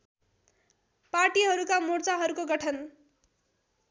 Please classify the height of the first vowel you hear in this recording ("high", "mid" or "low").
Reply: low